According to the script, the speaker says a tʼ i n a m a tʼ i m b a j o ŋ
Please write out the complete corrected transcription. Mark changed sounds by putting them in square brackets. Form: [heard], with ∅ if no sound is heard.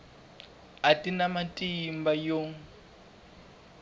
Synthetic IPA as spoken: a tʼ i n a m a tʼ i m b a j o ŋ